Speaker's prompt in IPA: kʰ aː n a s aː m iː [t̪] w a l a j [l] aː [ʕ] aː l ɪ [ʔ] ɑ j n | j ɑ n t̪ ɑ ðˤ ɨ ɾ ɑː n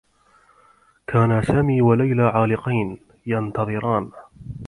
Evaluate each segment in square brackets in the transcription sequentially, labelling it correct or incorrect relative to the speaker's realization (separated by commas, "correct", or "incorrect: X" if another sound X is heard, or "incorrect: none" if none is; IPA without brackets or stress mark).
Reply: incorrect: none, correct, correct, incorrect: q